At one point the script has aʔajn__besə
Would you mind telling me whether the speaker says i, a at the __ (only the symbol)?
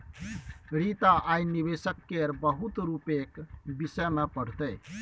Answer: i